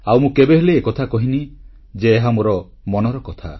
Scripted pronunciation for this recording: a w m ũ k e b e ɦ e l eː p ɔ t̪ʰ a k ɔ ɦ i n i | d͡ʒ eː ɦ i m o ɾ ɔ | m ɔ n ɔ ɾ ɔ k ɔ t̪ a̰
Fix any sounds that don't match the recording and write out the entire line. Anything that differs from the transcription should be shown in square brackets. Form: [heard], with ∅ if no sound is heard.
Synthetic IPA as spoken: a w m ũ k e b e ɦ e l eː [k] ɔ t̪ʰ a k ɔ ɦ i n i | d͡ʒ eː ɦ [a] m o ɾ ɔ | m ɔ n ɔ ɾ ɔ k ɔ [t̪ʰ] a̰